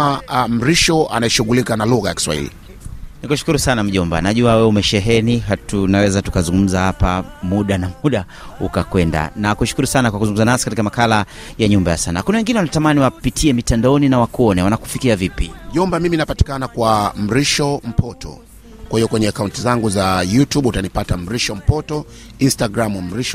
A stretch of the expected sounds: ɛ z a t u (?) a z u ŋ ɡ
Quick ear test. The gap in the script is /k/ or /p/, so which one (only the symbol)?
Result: k